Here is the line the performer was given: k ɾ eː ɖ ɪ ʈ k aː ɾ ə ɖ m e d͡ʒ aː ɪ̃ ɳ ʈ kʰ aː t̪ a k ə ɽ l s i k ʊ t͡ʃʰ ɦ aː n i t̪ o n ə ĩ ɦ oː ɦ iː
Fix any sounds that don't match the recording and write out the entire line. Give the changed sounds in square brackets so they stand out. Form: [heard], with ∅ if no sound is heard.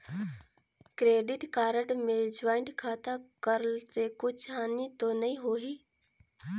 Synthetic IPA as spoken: k ɾ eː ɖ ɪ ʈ k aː ɾ ə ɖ m e d͡ʒ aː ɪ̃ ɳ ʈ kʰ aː t̪ a k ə [ɾ] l s [e] k ʊ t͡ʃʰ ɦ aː n i t̪ o n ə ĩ ɦ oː ɦ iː